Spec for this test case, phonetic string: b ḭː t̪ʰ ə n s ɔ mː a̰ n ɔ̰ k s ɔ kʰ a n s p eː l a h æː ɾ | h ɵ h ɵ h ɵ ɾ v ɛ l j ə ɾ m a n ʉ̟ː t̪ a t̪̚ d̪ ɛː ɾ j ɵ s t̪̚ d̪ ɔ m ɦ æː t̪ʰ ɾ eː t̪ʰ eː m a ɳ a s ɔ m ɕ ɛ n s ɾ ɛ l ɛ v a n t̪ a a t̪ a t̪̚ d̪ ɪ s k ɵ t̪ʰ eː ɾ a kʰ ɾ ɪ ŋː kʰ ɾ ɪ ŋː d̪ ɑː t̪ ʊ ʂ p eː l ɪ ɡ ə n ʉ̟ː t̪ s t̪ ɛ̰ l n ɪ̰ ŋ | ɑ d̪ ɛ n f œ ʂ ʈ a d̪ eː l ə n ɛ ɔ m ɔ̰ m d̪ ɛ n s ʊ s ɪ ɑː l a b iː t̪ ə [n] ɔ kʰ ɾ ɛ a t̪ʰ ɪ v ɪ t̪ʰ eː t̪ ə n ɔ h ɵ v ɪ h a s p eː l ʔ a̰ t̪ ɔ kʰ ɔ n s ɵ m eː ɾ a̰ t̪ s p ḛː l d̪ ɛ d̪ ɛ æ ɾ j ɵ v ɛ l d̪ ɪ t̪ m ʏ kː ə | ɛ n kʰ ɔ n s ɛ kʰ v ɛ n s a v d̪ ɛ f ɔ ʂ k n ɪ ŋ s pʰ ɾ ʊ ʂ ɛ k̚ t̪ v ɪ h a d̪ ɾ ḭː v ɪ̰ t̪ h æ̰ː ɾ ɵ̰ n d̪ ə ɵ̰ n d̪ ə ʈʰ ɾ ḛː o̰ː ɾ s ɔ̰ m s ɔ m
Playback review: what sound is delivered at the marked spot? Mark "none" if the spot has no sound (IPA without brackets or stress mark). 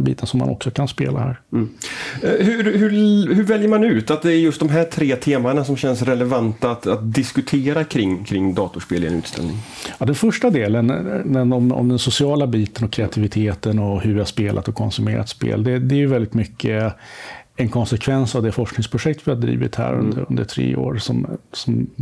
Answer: n